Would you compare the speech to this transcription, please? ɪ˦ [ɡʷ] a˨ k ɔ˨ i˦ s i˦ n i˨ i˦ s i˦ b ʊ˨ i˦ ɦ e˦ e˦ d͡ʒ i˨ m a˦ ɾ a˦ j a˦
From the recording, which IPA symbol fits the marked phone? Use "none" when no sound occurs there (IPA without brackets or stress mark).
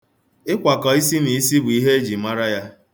kʷ